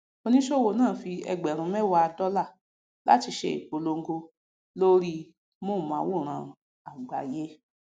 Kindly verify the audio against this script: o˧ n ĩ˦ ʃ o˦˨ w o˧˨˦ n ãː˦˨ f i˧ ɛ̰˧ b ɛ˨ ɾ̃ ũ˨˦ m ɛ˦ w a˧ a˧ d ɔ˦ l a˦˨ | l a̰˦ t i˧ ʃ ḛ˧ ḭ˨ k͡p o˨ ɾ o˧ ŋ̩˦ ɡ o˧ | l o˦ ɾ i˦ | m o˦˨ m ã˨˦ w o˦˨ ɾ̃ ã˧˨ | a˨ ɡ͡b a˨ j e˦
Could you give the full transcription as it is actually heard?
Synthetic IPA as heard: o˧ n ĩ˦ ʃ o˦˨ w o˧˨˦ n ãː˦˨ f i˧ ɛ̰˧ ɡ͡b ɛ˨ ɾ̃ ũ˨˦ m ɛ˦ w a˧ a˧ d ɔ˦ l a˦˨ | l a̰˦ t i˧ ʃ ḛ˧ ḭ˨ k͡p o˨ l o˧ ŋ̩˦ ɡ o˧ | l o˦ ɾ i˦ | m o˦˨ m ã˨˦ w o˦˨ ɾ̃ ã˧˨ | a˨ ɡ͡b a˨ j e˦